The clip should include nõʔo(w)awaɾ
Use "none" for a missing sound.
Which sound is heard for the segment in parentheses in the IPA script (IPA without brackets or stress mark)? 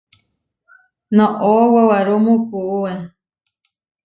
w